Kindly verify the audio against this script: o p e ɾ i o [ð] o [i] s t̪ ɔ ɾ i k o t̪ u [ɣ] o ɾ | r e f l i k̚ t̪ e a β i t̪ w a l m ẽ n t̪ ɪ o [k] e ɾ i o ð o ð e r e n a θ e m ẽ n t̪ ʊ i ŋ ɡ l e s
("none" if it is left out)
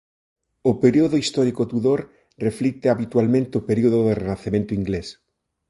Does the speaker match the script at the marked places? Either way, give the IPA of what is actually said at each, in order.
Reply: ð, i, ð, p

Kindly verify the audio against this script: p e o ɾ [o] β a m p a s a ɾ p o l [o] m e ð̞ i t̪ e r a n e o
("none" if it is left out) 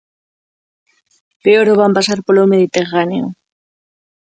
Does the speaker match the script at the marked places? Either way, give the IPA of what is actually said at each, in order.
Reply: o, o

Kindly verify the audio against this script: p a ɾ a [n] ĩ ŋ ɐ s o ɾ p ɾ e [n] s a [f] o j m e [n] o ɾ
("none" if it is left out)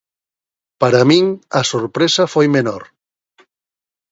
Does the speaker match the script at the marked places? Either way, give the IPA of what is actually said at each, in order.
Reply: m, none, f, n

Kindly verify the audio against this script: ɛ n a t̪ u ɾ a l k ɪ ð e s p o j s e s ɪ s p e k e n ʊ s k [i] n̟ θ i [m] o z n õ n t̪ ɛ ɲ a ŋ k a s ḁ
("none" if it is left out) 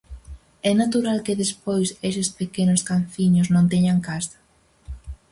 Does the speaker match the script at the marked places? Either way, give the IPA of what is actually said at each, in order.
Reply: a, ɲ

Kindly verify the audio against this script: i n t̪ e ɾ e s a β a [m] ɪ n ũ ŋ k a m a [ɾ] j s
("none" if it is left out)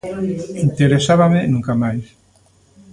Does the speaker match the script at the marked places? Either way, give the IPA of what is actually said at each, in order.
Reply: m, none

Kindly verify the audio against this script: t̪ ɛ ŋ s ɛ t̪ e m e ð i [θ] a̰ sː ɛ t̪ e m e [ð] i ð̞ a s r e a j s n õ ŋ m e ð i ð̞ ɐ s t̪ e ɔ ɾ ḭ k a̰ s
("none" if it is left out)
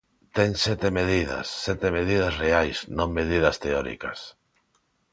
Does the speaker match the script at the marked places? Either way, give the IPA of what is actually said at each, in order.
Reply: ð, ð

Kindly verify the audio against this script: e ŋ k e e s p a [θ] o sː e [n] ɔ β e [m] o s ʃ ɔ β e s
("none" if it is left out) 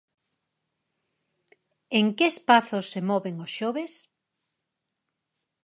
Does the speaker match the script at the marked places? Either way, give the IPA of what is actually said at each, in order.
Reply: θ, m, ŋ

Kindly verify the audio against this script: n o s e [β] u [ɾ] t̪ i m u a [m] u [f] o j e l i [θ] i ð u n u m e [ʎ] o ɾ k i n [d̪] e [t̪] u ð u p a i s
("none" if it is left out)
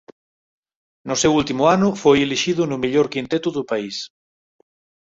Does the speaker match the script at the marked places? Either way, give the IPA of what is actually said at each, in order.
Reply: w, l, n, f, ʃ, ʎ, t̪, t̪

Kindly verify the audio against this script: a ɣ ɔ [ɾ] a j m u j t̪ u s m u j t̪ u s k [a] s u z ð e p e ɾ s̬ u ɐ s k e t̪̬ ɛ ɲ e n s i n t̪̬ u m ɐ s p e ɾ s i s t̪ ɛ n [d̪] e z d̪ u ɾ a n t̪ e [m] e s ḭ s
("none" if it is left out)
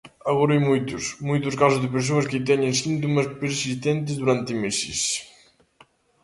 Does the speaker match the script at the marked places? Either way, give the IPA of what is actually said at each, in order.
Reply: ɾ, a, t̪, m

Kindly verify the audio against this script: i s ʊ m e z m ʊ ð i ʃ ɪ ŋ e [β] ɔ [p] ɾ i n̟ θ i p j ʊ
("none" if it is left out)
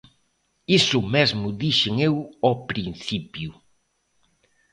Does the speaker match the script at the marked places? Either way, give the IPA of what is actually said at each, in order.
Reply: w, p

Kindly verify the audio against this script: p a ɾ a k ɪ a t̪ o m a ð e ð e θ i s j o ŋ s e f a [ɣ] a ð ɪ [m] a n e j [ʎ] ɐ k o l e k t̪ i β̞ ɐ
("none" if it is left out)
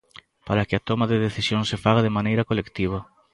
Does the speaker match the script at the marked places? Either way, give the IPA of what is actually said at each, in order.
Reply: ɣ, m, ɾ

